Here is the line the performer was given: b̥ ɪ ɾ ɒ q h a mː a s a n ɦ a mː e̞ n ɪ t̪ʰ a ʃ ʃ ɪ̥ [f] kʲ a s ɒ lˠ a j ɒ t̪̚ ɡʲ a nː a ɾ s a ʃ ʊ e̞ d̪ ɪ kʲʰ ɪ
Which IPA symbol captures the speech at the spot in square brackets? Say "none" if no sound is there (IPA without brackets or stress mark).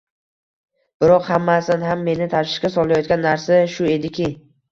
ʃ